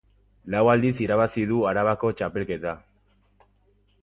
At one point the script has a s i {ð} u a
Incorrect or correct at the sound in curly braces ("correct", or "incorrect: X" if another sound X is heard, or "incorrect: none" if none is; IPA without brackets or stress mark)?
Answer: correct